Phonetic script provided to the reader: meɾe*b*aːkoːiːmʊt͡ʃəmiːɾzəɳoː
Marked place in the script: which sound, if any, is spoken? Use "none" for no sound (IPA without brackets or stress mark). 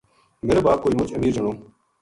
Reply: b